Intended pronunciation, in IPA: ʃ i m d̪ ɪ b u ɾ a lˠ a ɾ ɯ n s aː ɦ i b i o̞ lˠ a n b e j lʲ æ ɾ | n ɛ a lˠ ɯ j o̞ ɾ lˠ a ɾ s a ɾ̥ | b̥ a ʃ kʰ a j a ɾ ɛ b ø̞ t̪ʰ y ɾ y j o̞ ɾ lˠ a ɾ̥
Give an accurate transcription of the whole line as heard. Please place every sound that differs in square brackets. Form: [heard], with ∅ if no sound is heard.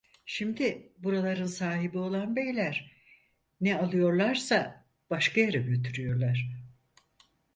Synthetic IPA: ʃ i m d̪ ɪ b u ɾ a lˠ a ɾ ɯ n s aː ɦ i b i o̞ lˠ a n b e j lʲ æ ɾ | n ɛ a lˠ ɯ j o̞ ɾ lˠ a ɾ s a [∅] | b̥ a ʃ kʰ a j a ɾ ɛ [ɟ] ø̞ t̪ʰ y ɾ y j o̞ ɾ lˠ a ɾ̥